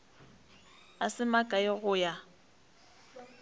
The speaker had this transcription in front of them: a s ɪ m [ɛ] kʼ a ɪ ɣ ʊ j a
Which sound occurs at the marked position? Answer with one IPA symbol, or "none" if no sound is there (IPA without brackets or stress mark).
a